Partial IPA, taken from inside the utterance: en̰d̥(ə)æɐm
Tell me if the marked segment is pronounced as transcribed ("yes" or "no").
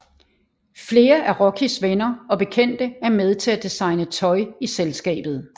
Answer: yes